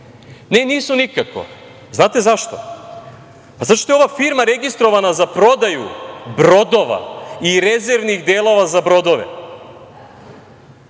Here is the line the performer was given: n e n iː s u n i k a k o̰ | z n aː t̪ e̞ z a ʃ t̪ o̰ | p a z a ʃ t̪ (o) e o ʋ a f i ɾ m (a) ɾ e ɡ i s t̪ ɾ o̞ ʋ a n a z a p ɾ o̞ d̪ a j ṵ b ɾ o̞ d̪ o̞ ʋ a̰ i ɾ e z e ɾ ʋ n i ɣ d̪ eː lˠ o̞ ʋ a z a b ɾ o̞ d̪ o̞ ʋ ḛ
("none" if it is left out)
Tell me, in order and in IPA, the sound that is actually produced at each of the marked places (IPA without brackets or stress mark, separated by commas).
o, a